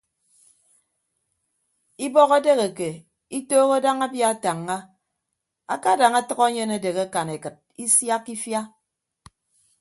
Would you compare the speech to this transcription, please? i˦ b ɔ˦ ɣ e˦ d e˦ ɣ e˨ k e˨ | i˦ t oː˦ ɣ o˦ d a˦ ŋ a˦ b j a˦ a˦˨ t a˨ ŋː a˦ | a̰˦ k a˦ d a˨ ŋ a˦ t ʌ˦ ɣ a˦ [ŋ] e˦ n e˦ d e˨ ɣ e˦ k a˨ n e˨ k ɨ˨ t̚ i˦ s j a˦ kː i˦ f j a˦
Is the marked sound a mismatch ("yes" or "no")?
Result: yes